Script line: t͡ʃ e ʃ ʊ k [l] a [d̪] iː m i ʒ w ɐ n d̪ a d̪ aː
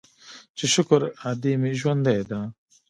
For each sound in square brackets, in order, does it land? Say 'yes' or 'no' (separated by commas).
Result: no, yes